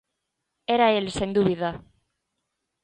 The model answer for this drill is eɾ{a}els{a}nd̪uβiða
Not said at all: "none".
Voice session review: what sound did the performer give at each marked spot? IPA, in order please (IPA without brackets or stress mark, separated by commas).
a, e